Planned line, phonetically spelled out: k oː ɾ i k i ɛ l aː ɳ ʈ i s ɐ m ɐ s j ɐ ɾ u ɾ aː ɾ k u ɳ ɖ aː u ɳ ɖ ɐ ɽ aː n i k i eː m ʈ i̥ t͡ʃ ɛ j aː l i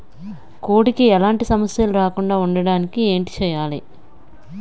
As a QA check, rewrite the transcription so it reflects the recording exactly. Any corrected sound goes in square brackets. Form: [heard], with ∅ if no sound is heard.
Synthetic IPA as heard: k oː [ɽ] i k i ɛ l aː ɳ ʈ i s ɐ m ɐ s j ɐ [l] u ɾ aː [∅] k u ɳ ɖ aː u ɳ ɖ ɐ ɽ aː n i k i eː [ɳ] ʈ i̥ t͡ʃ ɛ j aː l i